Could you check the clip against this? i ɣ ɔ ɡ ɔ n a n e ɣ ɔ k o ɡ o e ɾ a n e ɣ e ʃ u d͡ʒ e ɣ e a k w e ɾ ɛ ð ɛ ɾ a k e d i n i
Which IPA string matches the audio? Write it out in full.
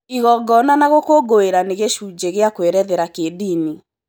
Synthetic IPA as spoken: i ɣ ɔ ɡ ɔ n a n a ɣ o k o ɡ o e ɾ a n e ɣ e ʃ u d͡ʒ e ɣ e a k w e ɾ ɛ ð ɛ ɾ a k e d i n i